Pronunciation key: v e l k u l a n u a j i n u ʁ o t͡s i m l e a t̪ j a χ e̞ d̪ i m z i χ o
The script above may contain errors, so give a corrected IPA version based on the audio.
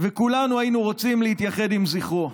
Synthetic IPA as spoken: v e k u l a n u a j i n u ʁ o t͡s i m l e i t̪ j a χ e̞ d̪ i m z i χ o